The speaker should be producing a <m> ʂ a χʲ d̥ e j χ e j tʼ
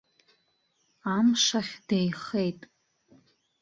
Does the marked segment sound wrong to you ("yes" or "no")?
no